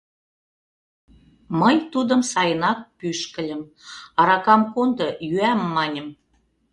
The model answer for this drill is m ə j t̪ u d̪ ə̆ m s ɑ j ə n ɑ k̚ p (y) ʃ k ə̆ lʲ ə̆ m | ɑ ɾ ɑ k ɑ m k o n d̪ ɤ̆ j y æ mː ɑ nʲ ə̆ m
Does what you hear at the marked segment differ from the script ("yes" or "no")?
no